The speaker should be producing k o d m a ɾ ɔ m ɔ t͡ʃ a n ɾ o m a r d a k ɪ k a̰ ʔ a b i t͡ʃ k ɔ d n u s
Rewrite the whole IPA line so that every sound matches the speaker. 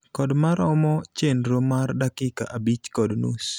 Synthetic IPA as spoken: k ɔ d m a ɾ ɔ m ɔ t͡ʃ e n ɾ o m a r d a k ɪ k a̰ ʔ a b i t͡ʃ k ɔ d n u s